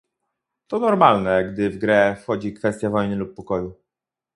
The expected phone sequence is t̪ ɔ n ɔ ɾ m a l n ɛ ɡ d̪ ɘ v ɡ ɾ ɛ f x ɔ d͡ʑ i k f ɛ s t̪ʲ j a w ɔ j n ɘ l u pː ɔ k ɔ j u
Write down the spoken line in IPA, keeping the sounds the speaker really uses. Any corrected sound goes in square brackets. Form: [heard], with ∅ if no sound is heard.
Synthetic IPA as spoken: t̪ ɔ n ɔ ɾ m a l n ɛ ɡ d̪ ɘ v ɡ ɾ ɛ f x ɔ d͡ʑ i k f ɛ s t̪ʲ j a [v] ɔ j n ɘ l u pː ɔ k ɔ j u

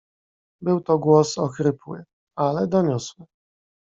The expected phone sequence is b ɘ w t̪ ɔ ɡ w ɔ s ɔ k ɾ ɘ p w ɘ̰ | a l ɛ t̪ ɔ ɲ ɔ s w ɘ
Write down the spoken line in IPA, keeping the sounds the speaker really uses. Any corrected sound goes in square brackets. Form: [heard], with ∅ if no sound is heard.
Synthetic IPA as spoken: b ɘ w t̪ ɔ ɡ w ɔ s ɔ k ɾ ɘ p w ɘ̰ | a l ɛ [d̪] ɔ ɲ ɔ s w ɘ

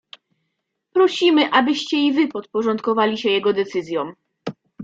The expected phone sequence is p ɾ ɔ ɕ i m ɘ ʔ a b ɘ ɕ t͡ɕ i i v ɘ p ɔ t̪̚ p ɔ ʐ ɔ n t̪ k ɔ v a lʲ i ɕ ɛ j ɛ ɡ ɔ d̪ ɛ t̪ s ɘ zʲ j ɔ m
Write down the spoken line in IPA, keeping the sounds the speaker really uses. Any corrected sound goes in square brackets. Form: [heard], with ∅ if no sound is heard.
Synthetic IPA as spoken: p ɾ ɔ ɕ i m ɘ ʔ a b ɘ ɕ t͡ɕ [ɛ] i v ɘ p ɔ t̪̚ p ɔ ʐ ɔ n t̪ k ɔ v a lʲ i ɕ ɛ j ɛ ɡ ɔ d̪ ɛ t̪ s ɘ zʲ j ɔ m

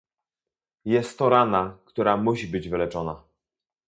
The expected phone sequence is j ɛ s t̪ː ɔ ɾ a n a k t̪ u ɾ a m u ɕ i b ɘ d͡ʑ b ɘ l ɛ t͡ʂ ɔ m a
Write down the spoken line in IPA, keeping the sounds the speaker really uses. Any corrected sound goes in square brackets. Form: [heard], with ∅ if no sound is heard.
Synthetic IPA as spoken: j ɛ s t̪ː ɔ ɾ a n a k t̪ u ɾ a m u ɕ i b ɘ d͡ʑ [v] ɘ l ɛ t͡ʂ ɔ [n] a

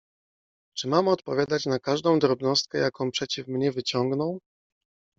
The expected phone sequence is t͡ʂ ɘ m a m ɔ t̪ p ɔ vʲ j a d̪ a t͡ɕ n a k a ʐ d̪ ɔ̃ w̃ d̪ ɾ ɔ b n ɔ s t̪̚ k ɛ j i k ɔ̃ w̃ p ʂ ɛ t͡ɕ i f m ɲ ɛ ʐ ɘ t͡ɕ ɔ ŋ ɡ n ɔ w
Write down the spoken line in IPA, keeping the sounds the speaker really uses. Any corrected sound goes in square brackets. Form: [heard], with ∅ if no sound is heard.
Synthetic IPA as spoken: t͡ʂ ɘ m a m ɔ t̪ p ɔ vʲ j a d̪ a t͡ɕ n a k a ʐ d̪ ɔ̃ w̃ d̪ ɾ ɔ b n ɔ s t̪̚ k ɛ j [a] k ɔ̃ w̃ p ʂ ɛ t͡ɕ i f m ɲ ɛ [v] ɘ t͡ɕ ɔ ŋ ɡ n ɔ w

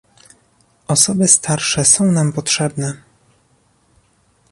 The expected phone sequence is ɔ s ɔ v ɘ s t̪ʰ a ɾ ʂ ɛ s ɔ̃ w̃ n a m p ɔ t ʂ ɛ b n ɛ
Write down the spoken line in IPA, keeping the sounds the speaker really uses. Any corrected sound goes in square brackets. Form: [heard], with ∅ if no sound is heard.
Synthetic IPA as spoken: ɔ s ɔ [b] ɘ s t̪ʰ a ɾ ʂ ɛ s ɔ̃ w̃ n a m p ɔ t ʂ ɛ b n ɛ

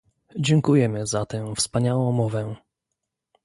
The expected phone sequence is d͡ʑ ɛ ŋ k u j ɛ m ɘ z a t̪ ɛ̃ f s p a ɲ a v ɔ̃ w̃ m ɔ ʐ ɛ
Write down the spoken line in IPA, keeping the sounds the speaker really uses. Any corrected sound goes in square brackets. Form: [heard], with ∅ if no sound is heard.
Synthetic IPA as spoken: d͡ʑ ɛ ŋ k u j ɛ m ɘ z a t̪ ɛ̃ f s p a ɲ a [w] ɔ̃ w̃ m ɔ [v] ɛ

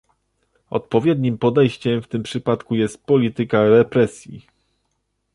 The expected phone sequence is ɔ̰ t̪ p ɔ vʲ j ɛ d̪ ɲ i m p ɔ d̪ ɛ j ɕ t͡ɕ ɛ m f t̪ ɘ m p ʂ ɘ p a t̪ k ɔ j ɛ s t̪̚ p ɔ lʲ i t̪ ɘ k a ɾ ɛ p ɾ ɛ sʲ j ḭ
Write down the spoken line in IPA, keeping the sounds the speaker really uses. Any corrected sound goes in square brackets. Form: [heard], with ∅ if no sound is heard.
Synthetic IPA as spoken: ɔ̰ t̪ p ɔ vʲ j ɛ d̪ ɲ i m p ɔ d̪ ɛ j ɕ t͡ɕ ɛ m f t̪ ɘ m p ʂ ɘ p a t̪ k [u] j ɛ s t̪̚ p ɔ lʲ i t̪ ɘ k a ɾ ɛ p ɾ ɛ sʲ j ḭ

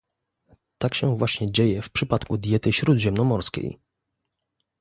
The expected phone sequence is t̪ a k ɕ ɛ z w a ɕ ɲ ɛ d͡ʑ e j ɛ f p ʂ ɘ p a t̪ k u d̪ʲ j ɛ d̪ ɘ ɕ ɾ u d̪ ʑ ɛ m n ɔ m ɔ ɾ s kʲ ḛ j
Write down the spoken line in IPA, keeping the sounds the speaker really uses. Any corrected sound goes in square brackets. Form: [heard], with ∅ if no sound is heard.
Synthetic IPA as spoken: t̪ a k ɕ ɛ [v] w a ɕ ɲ ɛ d͡ʑ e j ɛ f p ʂ ɘ p a t̪ k u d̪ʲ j ɛ [t̪] ɘ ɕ ɾ u d̪ ʑ ɛ m n ɔ m ɔ ɾ s kʲ ḛ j

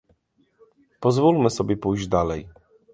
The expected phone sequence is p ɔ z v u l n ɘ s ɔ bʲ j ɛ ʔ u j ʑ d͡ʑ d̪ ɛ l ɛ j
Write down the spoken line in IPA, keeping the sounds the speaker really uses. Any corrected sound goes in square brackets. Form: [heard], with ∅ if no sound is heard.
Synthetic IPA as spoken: p ɔ z v u l [m] ɘ s ɔ bʲ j ɛ [p] u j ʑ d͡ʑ d̪ [a] l ɛ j

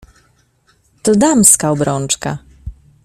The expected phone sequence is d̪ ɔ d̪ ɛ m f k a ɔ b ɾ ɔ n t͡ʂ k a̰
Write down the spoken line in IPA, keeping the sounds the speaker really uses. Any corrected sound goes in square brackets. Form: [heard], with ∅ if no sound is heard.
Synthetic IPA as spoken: [t̪] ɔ d̪ [a] m [s] k a ɔ b ɾ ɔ n t͡ʂ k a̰

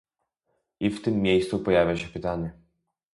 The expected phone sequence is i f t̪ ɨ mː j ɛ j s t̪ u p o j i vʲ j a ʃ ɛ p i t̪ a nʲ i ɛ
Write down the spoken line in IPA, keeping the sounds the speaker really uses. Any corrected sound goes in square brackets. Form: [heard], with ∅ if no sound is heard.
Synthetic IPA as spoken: i f t̪ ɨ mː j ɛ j s t̪ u p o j [a] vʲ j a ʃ ɛ p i t̪ a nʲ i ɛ

